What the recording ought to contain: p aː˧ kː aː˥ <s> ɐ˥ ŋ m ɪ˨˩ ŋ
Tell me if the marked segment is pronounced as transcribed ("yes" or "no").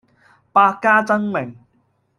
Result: no